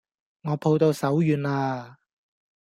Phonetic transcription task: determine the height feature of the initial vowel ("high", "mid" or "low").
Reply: mid